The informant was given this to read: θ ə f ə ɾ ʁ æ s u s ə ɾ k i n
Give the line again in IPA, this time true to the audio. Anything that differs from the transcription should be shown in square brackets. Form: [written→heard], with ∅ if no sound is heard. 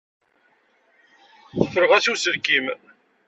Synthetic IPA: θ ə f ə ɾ ʁ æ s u s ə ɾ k i [n→m]